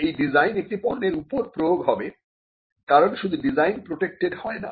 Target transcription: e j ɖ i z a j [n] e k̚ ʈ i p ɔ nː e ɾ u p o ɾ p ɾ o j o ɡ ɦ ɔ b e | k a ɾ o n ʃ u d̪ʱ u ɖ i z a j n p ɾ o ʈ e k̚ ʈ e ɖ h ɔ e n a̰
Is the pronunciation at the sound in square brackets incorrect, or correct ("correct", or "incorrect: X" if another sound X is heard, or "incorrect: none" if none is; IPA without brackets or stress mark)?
correct